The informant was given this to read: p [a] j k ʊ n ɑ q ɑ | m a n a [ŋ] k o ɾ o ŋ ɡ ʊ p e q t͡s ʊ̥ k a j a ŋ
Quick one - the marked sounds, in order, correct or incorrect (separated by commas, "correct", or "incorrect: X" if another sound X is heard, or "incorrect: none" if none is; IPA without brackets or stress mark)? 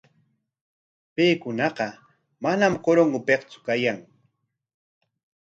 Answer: incorrect: e, incorrect: m